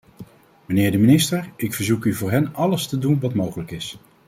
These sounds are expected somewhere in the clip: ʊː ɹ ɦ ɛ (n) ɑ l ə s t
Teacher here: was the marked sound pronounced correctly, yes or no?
yes